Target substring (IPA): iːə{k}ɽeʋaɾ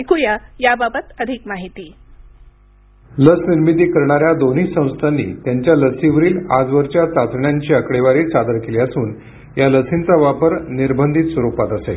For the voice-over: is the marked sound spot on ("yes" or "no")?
yes